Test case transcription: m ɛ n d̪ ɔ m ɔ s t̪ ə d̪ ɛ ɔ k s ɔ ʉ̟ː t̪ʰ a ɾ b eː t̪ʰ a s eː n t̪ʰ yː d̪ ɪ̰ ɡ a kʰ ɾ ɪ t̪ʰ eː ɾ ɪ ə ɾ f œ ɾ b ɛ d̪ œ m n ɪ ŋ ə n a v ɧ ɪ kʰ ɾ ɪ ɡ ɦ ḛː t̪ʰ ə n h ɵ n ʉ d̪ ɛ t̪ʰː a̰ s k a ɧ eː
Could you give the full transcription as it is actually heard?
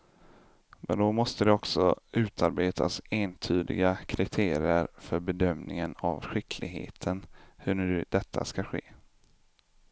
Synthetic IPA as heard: m ɛ n d̪ ɔ m ɔ s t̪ ə d̪ ɛ ɔ k s ɔ ʉ̟ː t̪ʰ a ɾ b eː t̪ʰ a s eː n t̪ʰ yː d̪ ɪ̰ ɡ a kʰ ɾ ɪ t̪ʰ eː ɾ ɪ ə ɾ f œ ɾ b ɛ d̪ œ m n ɪ ŋ ə n a v ɧ ɪ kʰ l ɪ ɡ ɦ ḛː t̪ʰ ə n h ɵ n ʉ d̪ ɛ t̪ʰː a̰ s k a ɧ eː